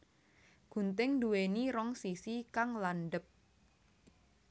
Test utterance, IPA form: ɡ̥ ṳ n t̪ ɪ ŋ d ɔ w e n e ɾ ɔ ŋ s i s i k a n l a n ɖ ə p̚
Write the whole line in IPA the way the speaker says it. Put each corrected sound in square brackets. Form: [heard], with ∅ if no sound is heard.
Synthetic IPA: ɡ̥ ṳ n t̪ ɪ ŋ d [u] w e n [i] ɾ ɔ ŋ s i s i k a [ŋ] l a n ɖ ə p̚